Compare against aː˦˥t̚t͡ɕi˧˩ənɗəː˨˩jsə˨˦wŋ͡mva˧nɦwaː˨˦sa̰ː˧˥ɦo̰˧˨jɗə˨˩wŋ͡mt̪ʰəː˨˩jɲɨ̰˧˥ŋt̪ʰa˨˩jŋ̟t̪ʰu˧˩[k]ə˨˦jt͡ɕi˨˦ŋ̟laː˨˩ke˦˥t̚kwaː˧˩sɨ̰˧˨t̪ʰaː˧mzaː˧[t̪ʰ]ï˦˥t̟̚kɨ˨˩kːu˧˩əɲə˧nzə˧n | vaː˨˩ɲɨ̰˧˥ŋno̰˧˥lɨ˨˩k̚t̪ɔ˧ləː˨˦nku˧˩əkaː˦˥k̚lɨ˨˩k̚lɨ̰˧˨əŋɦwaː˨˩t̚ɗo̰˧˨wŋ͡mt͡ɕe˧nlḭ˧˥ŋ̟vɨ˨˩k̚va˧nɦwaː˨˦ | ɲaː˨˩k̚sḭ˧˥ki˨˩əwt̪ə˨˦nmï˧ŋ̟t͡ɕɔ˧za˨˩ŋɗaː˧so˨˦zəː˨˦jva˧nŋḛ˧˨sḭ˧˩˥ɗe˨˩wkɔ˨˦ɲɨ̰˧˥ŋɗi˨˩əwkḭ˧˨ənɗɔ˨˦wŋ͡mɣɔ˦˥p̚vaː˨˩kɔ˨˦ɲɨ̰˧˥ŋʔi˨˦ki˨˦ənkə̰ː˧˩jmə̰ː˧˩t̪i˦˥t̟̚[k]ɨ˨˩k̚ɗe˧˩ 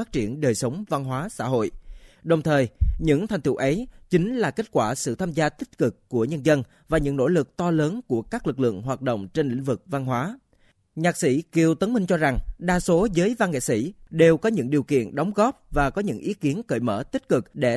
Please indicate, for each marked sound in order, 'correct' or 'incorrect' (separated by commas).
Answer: incorrect, incorrect, correct